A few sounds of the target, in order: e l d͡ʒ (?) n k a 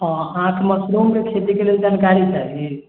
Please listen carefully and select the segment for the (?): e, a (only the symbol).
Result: a